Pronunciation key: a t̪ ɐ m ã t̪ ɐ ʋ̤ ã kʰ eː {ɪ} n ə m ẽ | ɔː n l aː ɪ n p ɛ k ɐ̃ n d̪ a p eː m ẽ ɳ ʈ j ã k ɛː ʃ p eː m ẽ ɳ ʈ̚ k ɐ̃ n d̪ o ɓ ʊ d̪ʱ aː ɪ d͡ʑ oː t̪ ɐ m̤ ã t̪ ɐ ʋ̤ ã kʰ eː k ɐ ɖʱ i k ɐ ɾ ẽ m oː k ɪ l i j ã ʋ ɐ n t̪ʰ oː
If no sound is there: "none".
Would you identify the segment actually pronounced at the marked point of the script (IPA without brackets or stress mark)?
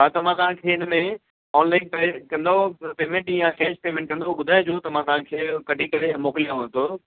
ɪ